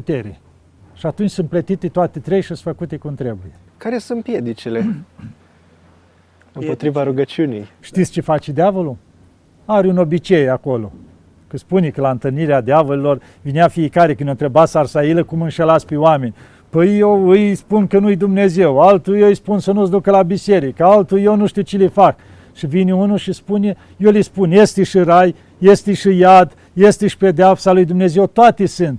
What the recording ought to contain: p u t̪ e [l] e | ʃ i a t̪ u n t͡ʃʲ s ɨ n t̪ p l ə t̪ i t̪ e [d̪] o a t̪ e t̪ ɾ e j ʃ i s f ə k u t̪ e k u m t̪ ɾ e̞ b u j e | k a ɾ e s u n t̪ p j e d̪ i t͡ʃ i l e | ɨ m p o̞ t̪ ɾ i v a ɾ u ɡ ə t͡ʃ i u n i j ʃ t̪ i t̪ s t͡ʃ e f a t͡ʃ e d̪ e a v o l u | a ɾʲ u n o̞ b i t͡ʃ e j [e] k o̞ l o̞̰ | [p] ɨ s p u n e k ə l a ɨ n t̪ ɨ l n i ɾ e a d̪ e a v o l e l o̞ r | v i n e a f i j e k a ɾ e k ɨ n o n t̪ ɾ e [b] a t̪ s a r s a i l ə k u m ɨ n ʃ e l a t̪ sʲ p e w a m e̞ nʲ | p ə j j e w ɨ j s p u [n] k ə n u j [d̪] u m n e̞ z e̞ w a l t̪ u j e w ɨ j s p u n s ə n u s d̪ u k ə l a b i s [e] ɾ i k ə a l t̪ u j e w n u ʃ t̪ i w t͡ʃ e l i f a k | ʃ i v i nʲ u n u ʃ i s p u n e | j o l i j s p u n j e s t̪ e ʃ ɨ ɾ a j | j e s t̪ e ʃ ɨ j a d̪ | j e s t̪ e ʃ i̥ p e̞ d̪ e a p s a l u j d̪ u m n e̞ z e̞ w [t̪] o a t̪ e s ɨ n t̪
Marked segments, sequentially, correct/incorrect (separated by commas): incorrect, incorrect, incorrect, incorrect, correct, correct, correct, correct, correct